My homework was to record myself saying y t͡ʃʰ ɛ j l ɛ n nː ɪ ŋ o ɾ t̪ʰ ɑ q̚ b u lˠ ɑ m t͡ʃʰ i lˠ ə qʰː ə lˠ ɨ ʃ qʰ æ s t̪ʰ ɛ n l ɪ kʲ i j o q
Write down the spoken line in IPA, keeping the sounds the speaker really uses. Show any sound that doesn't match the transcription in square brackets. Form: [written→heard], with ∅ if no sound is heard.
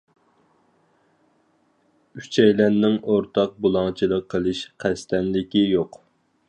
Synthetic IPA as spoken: y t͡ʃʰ ɛ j l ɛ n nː ɪ ŋ o ɾ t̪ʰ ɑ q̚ b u lˠ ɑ [m→ŋ] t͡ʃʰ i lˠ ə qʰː ə lˠ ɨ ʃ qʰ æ s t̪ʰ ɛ n l ɪ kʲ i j o q

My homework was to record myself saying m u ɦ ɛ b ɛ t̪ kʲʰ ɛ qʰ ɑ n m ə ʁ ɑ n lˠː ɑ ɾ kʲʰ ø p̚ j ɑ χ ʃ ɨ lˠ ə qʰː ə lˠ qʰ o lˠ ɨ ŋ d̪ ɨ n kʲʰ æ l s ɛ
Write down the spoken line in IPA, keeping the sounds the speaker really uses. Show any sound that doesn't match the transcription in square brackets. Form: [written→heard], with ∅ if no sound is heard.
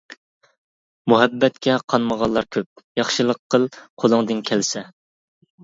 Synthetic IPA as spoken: m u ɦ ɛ [b→bː] ɛ t̪ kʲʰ ɛ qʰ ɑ n m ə ʁ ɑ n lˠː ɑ ɾ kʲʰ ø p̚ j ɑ χ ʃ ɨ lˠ ə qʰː ə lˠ qʰ o lˠ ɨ ŋ d̪ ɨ n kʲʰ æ l s ɛ

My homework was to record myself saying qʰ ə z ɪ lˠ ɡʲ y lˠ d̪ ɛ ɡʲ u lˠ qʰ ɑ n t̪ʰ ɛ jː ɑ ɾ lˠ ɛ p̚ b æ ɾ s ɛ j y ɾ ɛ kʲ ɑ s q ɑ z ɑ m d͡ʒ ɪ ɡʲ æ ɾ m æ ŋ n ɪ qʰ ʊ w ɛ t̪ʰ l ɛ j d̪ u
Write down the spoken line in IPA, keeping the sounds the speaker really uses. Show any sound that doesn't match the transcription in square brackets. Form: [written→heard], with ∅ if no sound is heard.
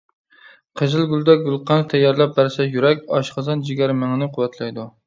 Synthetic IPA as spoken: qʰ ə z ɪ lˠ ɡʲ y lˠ d̪ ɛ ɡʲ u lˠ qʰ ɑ n t̪ʰ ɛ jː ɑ ɾ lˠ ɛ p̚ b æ ɾ s ɛ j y ɾ ɛ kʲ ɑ [s→ʃ] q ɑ z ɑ [m→n] d͡ʒ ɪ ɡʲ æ ɾ m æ ŋ n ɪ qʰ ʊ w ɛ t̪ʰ l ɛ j d̪ u

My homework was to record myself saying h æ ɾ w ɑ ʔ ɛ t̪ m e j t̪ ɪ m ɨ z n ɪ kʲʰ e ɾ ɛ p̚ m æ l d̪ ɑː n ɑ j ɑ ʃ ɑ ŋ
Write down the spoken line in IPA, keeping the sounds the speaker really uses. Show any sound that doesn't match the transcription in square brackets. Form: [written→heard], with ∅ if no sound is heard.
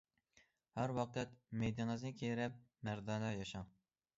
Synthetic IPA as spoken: h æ ɾ w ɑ [ʔ→q] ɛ t̪ m e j [t̪→d̪] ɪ [m→ŋ] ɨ z n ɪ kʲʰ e ɾ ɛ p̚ m æ [l→ɾ] d̪ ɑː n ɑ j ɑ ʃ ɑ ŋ

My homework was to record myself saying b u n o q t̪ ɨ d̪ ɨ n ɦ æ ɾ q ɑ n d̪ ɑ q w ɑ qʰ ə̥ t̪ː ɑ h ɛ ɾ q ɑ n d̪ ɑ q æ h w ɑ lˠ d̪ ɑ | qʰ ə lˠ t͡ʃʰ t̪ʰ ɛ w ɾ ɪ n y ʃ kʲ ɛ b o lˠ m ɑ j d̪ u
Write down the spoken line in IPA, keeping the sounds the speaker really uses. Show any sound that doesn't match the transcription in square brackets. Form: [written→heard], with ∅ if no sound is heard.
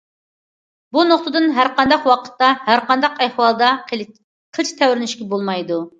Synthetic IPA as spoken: b u n o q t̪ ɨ d̪ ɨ n ɦ æ ɾ q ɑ n d̪ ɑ q w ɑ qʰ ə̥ t̪ː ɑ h [ɛ→æ] ɾ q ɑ n d̪ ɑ q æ h w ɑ lˠ d̪ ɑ | qʰ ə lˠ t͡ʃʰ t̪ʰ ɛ w ɾ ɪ n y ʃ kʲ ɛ b o lˠ m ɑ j d̪ u

